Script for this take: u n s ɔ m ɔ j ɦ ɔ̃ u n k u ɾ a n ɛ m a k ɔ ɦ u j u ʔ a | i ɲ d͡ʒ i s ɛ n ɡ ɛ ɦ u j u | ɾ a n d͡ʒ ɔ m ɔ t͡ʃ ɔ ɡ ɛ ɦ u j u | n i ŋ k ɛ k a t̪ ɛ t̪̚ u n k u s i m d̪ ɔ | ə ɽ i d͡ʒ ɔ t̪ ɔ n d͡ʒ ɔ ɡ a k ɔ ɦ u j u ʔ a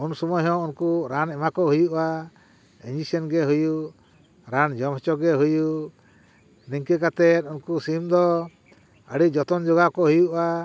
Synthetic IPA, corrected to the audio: u n s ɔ m ɔ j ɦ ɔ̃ u n k u ɾ a n ɛ m a k ɔ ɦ u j u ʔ a | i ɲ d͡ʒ i s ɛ n ɡ ɛ ɦ u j u | ɾ a n d͡ʒ ɔ m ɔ t͡ʃ ɔ ɡ ɛ ɦ u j u | n i ŋ k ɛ k a t̪ ɛ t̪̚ u n k u s i m d̪ ɔ | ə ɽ i d͡ʒ ɔ t̪ ɔ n d͡ʒ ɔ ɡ a k ɔ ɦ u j u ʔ a